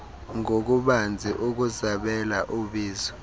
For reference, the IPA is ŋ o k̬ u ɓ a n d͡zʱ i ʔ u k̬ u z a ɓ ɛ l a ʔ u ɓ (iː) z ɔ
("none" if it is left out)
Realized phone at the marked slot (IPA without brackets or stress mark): iː